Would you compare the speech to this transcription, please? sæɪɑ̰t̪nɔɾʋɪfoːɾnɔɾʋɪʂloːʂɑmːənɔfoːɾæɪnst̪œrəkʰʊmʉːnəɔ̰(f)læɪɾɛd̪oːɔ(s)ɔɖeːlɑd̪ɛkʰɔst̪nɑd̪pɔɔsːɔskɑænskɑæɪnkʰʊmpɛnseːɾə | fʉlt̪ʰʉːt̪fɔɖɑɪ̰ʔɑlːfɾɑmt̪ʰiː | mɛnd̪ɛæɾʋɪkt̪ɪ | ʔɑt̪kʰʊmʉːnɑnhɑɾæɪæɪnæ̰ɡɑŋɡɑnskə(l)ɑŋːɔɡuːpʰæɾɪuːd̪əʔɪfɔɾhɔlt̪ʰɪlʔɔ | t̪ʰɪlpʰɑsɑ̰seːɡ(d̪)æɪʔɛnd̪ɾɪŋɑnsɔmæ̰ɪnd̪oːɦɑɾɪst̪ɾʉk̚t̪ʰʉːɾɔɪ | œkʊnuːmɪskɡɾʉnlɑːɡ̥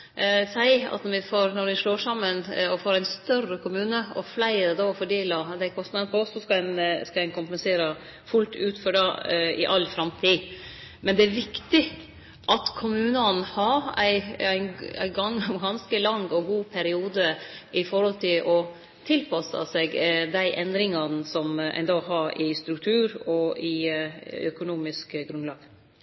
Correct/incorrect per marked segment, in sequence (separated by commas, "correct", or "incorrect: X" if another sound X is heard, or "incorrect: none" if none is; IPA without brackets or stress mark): correct, incorrect: f, correct, correct